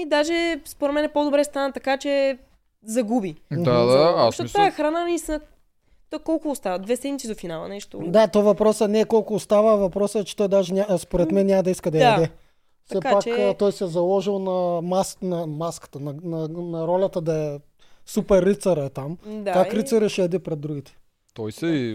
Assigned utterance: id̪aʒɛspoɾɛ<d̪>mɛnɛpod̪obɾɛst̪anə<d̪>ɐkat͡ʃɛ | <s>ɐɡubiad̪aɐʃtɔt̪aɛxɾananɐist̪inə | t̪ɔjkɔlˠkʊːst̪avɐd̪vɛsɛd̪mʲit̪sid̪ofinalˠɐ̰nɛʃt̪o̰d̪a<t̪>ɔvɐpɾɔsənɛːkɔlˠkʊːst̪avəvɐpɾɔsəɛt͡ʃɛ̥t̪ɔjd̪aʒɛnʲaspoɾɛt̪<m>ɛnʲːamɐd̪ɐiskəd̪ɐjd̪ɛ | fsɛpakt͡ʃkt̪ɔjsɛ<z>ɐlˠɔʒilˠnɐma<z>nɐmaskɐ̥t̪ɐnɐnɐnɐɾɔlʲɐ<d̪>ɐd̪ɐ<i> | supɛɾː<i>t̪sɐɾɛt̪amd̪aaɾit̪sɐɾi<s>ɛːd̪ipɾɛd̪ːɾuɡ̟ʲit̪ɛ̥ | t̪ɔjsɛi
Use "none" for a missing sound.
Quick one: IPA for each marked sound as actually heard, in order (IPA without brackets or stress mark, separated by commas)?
t̪, t̪, z, t̪, m, z, s, t̪, ɛ, i, ʃ